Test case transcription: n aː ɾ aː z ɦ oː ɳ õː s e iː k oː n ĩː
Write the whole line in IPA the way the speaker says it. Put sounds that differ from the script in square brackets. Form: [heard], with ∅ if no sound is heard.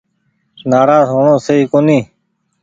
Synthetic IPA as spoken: n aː ɾ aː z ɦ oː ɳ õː s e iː k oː n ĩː